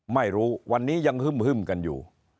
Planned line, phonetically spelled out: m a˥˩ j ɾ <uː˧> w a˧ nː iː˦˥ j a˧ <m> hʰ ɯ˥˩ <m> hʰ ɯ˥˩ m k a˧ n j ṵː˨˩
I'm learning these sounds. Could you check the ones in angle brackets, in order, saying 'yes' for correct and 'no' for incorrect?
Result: no, no, yes

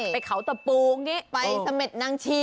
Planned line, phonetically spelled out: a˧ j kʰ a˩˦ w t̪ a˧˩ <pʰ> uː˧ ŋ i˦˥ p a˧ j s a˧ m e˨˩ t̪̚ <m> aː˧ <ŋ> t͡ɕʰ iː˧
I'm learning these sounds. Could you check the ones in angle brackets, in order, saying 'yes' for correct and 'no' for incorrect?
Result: no, no, yes

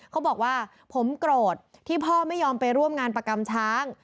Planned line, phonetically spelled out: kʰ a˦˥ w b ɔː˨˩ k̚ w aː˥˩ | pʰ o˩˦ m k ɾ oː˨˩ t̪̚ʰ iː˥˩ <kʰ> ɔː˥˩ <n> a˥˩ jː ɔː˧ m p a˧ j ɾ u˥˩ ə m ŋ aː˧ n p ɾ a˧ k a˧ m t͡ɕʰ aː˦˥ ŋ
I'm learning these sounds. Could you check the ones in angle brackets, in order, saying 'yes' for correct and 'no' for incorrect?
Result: no, no

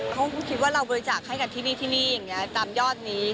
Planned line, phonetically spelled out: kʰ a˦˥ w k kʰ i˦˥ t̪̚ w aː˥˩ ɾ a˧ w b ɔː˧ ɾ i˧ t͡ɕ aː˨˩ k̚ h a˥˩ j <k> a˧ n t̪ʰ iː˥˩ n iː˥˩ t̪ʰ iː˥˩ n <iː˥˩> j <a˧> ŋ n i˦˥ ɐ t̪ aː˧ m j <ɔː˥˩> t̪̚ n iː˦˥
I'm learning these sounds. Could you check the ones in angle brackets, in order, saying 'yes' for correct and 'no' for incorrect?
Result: yes, yes, no, yes

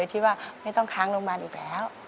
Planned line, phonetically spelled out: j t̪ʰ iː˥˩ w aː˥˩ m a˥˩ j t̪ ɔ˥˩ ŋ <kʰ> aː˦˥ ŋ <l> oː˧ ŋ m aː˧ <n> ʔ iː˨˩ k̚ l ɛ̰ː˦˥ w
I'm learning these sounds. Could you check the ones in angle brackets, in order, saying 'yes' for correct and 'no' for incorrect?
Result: yes, yes, yes

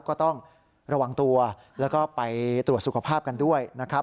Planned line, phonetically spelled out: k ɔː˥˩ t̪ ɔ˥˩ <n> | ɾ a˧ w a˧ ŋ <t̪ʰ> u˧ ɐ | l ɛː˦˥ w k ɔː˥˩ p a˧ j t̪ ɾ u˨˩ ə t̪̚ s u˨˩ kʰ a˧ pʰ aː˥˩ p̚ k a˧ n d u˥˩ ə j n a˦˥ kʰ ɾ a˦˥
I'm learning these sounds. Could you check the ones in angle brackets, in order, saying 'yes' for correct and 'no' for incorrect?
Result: no, no

